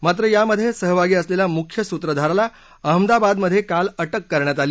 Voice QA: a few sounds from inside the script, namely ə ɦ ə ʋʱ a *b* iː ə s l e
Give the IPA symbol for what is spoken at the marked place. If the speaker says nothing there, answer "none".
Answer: ɡ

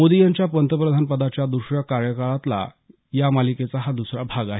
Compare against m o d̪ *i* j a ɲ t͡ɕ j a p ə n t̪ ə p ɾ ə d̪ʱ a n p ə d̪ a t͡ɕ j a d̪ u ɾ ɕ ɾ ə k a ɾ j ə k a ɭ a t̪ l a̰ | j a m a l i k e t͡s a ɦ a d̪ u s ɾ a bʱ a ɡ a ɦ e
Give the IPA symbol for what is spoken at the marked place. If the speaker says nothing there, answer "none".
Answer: i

